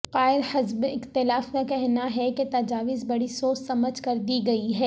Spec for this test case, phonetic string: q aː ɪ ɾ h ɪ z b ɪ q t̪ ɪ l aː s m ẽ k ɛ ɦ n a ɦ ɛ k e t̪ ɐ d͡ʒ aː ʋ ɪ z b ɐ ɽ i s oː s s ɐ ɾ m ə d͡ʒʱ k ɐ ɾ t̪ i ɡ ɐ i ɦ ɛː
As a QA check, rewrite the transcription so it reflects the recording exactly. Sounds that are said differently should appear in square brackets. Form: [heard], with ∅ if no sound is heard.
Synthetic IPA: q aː ɪ ɾ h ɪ z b ɪ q t̪ ɪ l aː [f] m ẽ k ɛ ɦ n a ɦ ɛ k e t̪ ɐ d͡ʒ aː ʋ ɪ z b ɐ ɽ i s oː s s ɐ [∅] m ə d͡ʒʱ k ɐ ɾ [d̪] i ɡ ɐ i ɦ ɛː